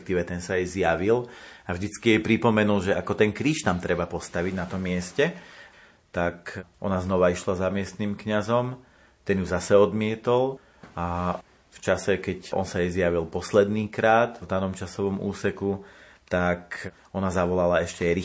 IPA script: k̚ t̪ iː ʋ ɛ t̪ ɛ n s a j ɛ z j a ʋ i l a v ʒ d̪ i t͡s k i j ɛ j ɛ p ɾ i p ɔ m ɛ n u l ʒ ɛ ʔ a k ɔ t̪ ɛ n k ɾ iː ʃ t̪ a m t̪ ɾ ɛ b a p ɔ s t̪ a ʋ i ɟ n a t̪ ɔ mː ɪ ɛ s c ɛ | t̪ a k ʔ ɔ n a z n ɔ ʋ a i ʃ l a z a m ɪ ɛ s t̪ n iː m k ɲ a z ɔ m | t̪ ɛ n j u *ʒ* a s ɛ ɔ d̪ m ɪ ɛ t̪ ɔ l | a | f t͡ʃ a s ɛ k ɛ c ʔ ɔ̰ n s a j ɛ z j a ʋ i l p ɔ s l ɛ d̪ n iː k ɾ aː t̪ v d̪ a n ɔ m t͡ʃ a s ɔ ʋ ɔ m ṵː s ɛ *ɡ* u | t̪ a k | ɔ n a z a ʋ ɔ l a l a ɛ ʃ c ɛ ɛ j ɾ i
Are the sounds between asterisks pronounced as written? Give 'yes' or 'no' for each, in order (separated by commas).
no, no